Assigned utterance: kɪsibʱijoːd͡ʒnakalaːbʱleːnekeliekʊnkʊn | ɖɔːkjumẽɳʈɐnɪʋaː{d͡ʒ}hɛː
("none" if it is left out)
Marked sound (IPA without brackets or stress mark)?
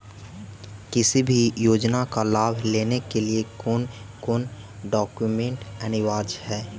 d͡ʒ